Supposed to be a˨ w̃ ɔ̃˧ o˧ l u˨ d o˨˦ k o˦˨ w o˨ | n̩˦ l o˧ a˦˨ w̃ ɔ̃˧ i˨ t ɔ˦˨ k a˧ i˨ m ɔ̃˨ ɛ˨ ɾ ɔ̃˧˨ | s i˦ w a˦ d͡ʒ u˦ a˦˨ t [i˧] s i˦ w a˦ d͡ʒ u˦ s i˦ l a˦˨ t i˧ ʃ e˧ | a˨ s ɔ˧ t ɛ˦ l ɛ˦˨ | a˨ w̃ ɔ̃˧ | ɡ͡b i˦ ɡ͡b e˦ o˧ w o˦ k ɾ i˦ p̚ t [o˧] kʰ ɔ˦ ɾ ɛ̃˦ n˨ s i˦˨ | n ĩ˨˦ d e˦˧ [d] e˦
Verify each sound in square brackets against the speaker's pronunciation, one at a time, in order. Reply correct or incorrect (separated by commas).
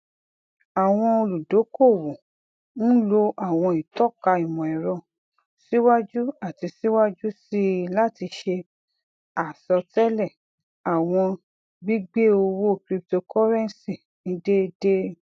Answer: correct, correct, correct